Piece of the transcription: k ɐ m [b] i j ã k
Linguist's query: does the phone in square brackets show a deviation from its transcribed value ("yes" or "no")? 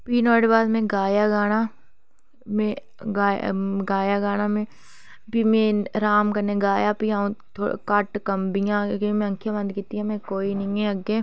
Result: no